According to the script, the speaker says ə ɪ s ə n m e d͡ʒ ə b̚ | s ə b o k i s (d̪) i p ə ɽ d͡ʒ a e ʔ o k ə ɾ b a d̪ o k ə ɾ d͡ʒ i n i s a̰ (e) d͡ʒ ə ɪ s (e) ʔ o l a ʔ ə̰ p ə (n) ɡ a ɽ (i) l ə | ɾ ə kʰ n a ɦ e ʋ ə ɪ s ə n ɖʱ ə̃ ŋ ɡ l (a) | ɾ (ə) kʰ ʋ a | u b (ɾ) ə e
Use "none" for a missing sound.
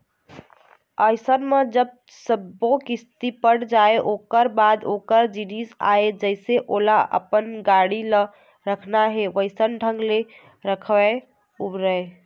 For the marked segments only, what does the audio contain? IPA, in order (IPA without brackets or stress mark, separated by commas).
t̪, e, e, n, i, e, ə, ɾ